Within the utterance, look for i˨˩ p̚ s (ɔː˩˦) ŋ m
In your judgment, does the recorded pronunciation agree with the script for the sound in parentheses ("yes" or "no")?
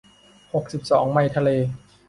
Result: yes